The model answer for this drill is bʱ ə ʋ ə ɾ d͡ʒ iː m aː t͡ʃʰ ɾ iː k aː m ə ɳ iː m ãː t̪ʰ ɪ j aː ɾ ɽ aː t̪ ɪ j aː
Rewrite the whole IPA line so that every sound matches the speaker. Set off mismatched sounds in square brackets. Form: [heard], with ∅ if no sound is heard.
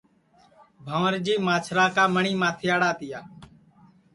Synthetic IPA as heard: bʱ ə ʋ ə ɾ d͡ʒ iː m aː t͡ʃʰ ɾ [aː] k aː m ə ɳ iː m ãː t̪ʰ ɪ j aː [∅] ɽ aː t̪ ɪ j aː